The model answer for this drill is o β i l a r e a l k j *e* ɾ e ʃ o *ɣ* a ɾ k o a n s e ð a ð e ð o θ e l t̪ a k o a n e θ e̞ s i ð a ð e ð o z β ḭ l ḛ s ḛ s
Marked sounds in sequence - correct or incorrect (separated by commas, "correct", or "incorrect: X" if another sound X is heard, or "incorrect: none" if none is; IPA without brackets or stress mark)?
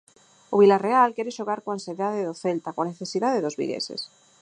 correct, correct